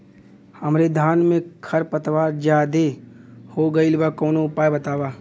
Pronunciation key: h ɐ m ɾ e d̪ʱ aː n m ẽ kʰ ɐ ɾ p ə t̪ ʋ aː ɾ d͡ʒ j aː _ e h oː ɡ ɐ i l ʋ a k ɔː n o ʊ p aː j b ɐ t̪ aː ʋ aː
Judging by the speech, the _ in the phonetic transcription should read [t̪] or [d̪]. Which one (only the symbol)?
d̪